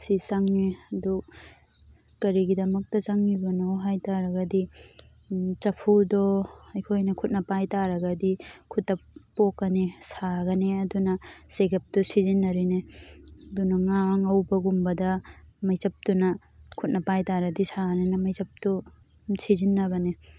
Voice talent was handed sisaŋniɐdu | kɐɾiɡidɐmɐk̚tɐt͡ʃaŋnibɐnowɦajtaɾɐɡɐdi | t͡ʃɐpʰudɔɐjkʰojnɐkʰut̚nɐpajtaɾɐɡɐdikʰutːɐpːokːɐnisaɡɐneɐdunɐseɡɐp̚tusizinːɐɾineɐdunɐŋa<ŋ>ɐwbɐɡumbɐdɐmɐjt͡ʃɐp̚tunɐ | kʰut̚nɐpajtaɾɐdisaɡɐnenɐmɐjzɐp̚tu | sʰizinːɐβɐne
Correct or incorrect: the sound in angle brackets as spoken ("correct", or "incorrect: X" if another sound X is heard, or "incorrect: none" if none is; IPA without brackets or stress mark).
correct